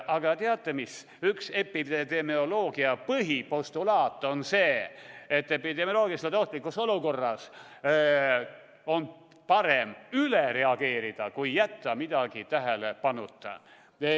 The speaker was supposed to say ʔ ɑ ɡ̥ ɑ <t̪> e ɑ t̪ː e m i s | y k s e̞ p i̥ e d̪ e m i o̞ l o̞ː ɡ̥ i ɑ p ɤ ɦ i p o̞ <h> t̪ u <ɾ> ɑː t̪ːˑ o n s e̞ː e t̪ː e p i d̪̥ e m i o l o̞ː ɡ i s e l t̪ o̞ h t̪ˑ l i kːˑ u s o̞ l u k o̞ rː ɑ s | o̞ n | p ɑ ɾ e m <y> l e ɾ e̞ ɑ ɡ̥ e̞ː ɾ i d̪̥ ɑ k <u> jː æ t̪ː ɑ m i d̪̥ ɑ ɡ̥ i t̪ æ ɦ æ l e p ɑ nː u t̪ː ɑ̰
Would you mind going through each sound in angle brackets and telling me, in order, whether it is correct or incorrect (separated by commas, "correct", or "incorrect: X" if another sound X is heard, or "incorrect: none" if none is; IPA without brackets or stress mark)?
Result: correct, incorrect: s, incorrect: l, correct, correct